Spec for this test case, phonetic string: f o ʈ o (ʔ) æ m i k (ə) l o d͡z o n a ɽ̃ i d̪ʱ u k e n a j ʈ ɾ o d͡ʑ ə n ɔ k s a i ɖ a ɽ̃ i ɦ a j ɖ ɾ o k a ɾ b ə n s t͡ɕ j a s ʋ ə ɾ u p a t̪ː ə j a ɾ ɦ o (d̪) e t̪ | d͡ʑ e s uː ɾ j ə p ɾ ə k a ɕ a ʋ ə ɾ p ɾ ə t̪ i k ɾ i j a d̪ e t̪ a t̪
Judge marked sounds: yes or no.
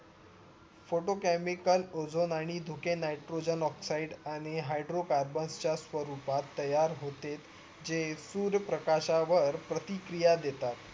no, yes, no

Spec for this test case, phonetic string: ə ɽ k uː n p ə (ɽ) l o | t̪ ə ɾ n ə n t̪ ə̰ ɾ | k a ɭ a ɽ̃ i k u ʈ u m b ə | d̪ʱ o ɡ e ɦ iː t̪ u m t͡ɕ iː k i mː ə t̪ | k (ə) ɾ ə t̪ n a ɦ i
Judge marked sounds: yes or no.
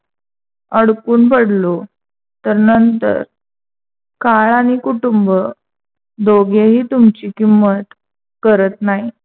yes, yes

